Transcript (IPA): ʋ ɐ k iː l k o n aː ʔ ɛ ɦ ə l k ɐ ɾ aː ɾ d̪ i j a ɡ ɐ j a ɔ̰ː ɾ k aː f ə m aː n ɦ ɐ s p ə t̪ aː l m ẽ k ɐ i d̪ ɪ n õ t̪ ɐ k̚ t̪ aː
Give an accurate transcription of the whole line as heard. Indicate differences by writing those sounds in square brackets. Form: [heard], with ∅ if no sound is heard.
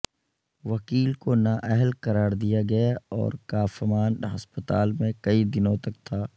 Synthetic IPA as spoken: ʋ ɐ k iː l k o n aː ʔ ɛ ɦ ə l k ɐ ɾ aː ɾ d̪ i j a ɡ ɐ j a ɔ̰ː ɾ k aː f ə m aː n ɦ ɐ s p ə t̪ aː l m ẽ k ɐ i d̪ ɪ n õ t̪ ɐ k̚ [t̪ʰ] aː